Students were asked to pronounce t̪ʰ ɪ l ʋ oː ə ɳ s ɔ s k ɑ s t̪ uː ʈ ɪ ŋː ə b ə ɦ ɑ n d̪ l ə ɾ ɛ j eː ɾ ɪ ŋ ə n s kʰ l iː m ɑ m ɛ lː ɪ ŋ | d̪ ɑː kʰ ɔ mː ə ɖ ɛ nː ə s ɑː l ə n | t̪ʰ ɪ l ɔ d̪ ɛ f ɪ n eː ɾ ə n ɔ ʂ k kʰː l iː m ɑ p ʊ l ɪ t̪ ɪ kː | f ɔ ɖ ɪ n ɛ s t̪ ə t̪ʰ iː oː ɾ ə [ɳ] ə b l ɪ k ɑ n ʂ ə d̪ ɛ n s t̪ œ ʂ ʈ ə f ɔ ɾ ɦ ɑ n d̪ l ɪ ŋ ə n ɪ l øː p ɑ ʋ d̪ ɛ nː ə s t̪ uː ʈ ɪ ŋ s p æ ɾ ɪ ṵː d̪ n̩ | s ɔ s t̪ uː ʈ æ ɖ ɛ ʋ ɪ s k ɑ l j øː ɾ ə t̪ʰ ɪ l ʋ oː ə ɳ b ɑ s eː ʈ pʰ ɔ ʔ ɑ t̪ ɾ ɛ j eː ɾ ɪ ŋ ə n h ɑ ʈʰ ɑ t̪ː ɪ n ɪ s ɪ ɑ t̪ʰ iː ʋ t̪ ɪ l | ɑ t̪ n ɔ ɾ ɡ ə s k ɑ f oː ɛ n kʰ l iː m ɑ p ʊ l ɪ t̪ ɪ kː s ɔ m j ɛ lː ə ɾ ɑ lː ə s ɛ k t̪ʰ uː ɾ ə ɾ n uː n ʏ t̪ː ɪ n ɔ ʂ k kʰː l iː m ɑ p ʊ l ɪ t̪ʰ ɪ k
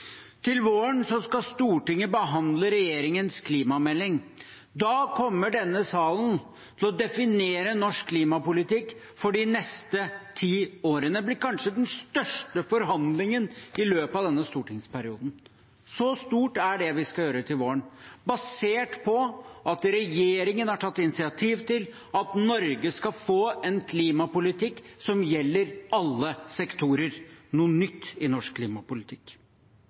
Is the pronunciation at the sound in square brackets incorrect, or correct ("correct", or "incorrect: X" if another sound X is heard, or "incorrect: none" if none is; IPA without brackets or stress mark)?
incorrect: n